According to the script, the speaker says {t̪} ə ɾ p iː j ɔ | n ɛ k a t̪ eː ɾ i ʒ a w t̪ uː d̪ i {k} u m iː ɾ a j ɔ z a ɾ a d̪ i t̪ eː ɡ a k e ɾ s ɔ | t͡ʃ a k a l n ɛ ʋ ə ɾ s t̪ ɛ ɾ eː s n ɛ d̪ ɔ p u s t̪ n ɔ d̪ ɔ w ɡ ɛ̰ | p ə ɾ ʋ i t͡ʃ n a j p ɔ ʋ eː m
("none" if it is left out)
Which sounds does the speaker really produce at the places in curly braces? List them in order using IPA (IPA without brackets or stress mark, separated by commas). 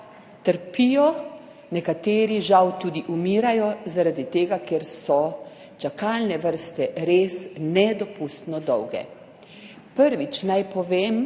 t̪, ʔ